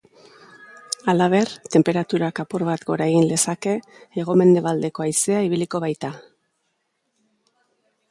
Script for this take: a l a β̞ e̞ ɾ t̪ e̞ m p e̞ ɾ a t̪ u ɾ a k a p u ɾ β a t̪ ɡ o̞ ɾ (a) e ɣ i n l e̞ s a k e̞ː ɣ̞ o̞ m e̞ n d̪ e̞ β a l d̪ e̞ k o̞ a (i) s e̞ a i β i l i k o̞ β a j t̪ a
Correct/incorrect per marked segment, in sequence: correct, incorrect: j

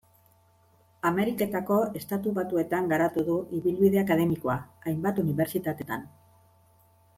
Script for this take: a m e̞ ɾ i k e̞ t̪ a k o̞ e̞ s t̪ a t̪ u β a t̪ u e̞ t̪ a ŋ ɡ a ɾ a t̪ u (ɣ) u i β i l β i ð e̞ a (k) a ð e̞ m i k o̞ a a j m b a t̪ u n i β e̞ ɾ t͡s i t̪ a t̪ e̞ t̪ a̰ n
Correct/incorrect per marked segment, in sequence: incorrect: ð, correct

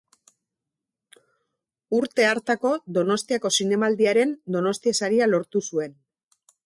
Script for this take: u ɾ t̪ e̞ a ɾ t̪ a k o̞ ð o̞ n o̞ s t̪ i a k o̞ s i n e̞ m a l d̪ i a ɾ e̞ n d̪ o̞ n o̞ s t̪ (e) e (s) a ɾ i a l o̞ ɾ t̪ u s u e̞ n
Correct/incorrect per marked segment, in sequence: incorrect: i, correct

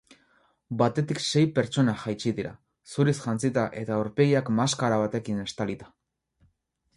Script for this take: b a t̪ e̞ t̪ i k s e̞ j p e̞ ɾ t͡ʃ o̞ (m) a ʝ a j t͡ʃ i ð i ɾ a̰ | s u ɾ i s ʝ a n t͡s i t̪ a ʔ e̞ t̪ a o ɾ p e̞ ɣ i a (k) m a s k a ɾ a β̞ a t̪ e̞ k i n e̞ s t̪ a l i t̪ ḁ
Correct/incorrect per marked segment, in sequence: incorrect: n, correct

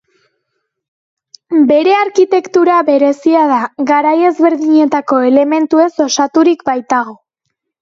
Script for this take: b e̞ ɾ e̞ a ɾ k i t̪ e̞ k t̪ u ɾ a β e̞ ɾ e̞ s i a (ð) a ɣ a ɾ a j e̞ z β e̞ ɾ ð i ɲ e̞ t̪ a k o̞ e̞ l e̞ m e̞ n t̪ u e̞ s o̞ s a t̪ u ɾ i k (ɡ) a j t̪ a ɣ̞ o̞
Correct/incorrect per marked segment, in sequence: correct, incorrect: b

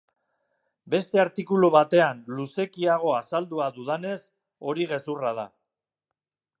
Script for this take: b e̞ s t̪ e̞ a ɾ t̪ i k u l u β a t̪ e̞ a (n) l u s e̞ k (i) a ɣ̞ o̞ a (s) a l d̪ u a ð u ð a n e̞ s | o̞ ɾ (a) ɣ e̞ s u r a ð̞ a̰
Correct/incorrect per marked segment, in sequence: correct, correct, correct, incorrect: i

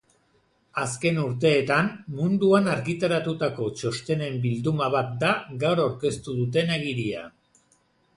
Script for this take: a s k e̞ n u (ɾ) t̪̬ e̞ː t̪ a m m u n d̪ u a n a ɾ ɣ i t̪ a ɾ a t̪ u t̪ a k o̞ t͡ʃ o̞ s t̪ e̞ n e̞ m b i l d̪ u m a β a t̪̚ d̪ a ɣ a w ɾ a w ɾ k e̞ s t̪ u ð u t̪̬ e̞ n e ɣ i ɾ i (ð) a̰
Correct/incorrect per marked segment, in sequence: correct, incorrect: none

